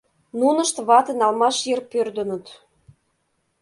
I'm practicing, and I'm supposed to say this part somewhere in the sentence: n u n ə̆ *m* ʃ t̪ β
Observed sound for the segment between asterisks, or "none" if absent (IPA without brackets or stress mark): none